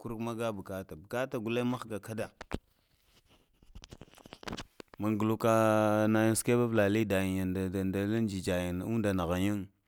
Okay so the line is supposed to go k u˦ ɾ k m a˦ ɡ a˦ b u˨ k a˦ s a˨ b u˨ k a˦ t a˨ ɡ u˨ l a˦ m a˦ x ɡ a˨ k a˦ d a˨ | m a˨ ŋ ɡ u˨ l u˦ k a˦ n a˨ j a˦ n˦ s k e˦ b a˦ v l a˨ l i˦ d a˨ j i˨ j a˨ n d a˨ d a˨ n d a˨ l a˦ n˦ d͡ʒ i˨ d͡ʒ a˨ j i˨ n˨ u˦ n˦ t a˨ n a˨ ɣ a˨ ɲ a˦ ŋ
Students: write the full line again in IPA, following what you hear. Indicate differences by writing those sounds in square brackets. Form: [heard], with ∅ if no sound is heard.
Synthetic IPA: k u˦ ɾ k m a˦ ɡ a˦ b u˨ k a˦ [t] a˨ b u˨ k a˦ t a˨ ɡ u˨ l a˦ m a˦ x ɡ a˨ k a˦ d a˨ | m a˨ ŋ ɡ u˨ l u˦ k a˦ n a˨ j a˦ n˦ s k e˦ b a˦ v l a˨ l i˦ d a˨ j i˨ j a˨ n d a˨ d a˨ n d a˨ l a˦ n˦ d͡ʒ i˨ d͡ʒ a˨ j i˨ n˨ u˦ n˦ [d] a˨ n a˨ ɣ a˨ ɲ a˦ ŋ